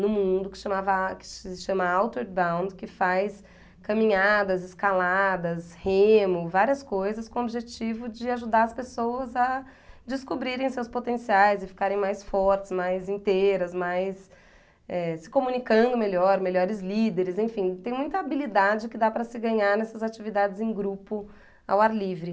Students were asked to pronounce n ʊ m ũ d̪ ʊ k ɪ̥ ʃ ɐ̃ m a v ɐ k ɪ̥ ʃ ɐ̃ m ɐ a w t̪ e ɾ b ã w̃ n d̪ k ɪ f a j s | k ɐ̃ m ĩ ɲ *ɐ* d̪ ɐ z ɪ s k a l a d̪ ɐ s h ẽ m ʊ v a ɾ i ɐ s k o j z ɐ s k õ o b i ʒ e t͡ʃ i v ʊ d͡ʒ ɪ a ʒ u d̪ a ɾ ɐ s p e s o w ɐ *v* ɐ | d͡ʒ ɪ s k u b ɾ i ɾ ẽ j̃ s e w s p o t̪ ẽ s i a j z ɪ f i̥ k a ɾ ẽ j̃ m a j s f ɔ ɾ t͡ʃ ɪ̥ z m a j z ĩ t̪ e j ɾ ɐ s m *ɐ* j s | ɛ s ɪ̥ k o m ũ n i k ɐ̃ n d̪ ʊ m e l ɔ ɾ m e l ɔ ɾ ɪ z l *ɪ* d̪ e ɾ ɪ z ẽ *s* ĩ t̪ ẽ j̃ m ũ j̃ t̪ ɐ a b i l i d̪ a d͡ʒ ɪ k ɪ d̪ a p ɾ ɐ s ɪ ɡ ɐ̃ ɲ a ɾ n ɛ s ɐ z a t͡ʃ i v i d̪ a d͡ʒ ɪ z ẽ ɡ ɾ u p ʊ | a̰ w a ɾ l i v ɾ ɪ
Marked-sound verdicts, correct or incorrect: incorrect: a, incorrect: z, incorrect: a, incorrect: i, incorrect: f

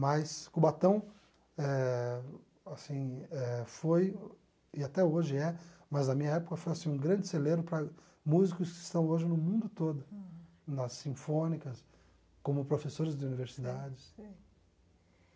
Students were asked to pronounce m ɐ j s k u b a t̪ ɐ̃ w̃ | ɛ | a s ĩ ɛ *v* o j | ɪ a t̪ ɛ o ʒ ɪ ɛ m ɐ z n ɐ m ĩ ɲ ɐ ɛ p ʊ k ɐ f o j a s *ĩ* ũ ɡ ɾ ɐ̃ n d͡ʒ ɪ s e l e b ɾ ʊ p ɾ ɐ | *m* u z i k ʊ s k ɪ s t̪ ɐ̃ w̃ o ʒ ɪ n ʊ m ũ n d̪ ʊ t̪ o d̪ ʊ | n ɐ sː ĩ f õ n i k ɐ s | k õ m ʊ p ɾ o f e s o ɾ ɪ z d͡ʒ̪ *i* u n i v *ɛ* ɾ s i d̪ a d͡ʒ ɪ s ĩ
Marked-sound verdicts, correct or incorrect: incorrect: f, correct, correct, incorrect: ɪ, incorrect: e

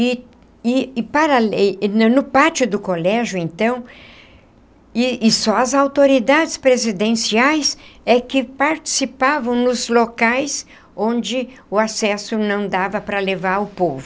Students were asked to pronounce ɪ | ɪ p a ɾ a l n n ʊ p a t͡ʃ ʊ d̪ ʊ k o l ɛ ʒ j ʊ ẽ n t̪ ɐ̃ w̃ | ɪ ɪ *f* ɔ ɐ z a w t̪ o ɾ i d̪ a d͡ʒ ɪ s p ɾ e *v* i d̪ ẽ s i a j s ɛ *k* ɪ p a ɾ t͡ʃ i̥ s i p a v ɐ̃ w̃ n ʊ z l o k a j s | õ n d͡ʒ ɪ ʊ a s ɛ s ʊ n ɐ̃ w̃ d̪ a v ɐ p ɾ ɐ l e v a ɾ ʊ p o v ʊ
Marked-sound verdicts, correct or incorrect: incorrect: s, incorrect: z, correct

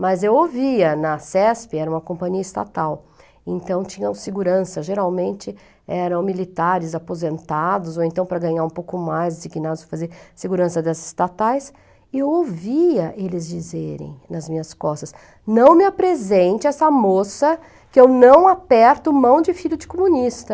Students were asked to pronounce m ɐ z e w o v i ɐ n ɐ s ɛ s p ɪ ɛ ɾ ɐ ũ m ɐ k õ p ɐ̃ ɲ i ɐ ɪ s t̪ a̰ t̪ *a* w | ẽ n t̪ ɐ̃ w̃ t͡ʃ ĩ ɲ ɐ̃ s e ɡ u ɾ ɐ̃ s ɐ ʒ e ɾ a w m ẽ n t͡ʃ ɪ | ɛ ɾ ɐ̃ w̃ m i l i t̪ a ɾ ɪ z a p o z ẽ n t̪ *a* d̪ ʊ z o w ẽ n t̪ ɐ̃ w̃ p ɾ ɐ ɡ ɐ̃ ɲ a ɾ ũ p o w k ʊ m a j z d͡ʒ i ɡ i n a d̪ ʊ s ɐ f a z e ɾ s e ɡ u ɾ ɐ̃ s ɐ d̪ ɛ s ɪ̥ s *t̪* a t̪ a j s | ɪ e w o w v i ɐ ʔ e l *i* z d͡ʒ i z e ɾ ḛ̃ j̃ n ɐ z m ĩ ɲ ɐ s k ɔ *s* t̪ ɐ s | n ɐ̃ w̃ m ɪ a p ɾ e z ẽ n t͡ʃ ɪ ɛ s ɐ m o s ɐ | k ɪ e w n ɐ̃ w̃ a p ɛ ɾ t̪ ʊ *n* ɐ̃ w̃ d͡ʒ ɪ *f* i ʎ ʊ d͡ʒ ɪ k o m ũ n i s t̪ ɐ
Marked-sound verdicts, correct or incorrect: correct, correct, correct, incorrect: ɪ, correct, incorrect: m, correct

